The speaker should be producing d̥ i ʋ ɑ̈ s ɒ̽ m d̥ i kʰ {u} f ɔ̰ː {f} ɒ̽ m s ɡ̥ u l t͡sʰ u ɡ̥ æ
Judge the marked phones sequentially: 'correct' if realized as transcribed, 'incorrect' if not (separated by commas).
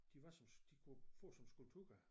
correct, incorrect